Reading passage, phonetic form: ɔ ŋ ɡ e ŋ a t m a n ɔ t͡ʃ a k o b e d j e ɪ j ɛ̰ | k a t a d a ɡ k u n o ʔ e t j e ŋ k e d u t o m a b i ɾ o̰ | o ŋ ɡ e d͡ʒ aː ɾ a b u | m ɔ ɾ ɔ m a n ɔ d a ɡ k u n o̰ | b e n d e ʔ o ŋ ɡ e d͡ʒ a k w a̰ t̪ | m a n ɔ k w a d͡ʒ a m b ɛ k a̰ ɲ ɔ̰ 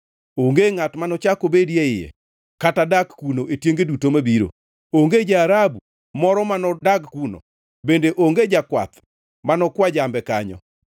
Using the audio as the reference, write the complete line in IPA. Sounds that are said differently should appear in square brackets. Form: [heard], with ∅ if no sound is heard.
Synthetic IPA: [o] ŋ ɡ e ŋ a t m a n ɔ t͡ʃ a k o b e d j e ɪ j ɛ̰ | k a t a d a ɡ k u n o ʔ e t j e ŋ [ɡ] e d u t o m a b i ɾ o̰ | o ŋ ɡ e d͡ʒ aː ɾ a b u | m ɔ ɾ ɔ m a n ɔ d a ɡ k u n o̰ | b e n d e ʔ o ŋ ɡ e d͡ʒ a k w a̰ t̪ | m a n ɔ k w a d͡ʒ a m b ɛ k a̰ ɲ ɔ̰